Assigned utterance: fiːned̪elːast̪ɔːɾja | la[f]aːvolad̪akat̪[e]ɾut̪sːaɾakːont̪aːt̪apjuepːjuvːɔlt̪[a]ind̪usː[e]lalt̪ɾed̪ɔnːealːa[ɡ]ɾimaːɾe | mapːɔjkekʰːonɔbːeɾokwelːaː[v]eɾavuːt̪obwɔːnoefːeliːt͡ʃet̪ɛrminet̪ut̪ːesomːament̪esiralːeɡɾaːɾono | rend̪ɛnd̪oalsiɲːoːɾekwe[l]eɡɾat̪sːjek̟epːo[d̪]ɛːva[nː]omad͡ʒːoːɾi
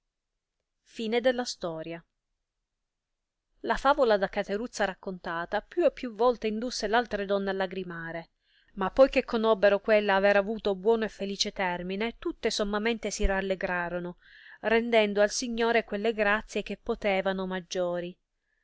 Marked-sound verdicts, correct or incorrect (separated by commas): correct, correct, incorrect, correct, correct, correct, incorrect, incorrect, incorrect